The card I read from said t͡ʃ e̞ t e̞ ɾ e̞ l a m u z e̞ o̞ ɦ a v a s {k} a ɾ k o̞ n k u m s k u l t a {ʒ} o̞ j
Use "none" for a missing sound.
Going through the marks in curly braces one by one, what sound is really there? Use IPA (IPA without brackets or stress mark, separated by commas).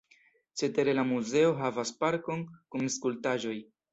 p, ʒ